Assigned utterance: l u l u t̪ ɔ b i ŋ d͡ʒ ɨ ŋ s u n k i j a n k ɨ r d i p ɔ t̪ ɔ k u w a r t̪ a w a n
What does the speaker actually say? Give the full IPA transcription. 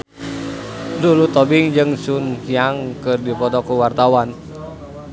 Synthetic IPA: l u l u t̪ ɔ b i ŋ d͡ʒ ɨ ŋ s u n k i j a ŋ k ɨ r d i p ɔ t̪ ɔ k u w a r t̪ a w a n